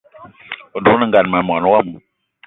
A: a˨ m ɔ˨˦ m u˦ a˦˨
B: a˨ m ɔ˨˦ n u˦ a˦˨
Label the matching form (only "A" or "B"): B